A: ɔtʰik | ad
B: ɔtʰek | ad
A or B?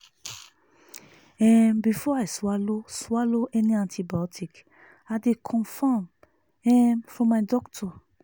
A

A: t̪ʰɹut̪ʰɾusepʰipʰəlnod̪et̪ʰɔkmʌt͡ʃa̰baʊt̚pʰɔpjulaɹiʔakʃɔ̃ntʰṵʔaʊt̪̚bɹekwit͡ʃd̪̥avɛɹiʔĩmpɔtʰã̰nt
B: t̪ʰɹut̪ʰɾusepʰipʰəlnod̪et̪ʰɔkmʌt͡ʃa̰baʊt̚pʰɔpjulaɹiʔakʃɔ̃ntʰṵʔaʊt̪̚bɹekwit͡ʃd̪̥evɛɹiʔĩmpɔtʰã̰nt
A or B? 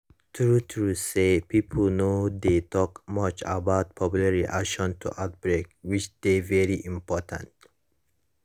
B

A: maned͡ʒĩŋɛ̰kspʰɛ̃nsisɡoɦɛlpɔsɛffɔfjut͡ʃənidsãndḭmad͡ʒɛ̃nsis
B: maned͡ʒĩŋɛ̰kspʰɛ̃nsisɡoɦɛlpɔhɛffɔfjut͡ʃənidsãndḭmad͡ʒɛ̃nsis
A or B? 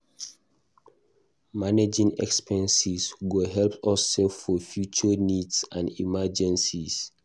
A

